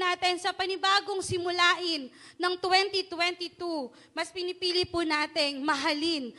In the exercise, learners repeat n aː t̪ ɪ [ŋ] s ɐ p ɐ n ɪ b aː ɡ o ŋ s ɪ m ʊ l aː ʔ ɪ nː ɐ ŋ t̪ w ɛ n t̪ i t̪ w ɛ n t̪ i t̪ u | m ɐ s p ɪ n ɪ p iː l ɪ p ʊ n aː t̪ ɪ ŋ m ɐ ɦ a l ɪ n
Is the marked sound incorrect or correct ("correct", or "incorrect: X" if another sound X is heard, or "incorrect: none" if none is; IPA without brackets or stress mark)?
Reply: incorrect: n